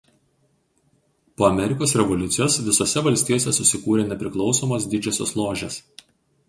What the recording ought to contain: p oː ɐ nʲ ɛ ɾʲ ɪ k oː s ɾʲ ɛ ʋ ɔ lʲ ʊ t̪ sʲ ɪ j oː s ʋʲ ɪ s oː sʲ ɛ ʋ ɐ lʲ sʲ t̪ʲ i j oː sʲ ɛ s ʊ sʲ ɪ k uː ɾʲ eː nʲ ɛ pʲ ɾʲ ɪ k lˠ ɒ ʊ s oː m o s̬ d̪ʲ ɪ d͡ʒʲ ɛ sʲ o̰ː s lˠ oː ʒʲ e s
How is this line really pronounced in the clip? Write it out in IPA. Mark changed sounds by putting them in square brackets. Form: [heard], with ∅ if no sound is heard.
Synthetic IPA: p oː ɐ [mʲ] ɛ ɾʲ ɪ k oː s ɾʲ ɛ ʋ ɔ lʲ ʊ t̪ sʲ ɪ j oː s ʋʲ ɪ s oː sʲ ɛ ʋ ɐ lʲ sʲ t̪ʲ i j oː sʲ ɛ s ʊ sʲ ɪ k uː ɾʲ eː nʲ ɛ pʲ ɾʲ ɪ k lˠ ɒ ʊ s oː m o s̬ d̪ʲ ɪ d͡ʒʲ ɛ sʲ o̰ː s lˠ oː ʒʲ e s